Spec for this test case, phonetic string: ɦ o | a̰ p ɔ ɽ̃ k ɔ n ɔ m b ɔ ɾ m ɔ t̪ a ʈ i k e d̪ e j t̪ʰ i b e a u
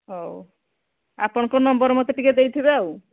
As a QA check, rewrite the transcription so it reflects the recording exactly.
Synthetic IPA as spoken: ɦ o | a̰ p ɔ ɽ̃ k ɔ n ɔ m b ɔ ɾ m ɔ t̪ e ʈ i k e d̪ e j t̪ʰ i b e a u